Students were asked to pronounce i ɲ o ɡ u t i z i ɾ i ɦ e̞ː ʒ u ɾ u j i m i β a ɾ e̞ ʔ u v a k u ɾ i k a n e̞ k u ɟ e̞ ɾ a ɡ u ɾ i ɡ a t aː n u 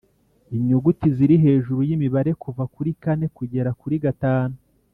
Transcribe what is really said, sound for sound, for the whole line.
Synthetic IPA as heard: i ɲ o ɡ u t i z i ɾ i ɦ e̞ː ʒ u ɾ u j i m i β a ɾ e̞ k u v a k u ɾ i k a n e̞ k u ɟ e̞ ɾ a k u ɾ i ɡ a t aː n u